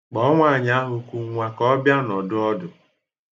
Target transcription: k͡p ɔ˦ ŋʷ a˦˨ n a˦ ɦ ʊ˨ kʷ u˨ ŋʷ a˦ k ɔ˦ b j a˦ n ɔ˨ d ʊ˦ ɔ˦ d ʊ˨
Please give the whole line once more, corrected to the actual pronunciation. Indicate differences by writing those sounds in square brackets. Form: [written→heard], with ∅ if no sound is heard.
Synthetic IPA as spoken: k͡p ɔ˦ ŋʷ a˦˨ [n→ɲ] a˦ ɦ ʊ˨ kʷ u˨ ŋʷ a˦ k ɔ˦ b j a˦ n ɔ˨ d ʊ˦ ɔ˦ d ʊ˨